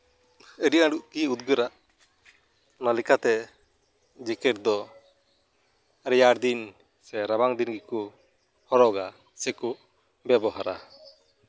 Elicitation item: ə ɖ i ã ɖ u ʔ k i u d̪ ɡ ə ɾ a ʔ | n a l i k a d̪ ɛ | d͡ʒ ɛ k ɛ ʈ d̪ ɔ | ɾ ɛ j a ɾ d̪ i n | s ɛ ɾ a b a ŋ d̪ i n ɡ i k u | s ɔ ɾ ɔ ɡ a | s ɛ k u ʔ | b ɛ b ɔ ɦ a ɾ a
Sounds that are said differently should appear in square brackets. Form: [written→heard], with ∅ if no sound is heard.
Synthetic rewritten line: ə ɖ i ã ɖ u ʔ k i u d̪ ɡ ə ɾ a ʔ | n a l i k a [d̪→t̪] ɛ | d͡ʒ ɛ k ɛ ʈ d̪ ɔ | ɾ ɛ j a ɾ d̪ i n | s ɛ ɾ a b a ŋ d̪ i n ɡ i k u | [s→h] ɔ ɾ ɔ ɡ a | s ɛ k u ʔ | b ɛ b ɔ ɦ a ɾ a